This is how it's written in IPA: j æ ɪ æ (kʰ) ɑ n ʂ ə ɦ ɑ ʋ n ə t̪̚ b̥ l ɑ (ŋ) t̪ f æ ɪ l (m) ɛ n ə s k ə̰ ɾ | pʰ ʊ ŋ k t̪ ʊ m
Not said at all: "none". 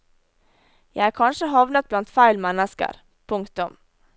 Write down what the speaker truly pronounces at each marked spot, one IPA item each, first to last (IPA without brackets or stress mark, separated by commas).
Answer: kʰ, n, m